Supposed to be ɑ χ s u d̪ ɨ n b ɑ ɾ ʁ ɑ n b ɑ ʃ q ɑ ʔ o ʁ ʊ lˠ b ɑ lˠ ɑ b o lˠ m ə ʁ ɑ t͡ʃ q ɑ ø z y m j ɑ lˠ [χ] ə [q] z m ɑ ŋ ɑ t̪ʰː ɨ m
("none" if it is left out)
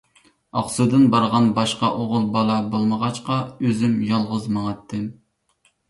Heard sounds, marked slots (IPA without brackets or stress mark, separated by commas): ʁ, none